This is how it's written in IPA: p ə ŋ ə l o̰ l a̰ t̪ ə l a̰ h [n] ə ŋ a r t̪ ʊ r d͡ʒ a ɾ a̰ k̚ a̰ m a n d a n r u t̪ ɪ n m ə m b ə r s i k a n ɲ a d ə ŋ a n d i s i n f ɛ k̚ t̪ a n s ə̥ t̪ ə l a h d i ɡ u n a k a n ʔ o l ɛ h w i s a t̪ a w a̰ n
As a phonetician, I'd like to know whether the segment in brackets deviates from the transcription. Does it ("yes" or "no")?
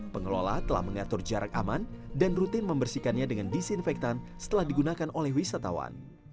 yes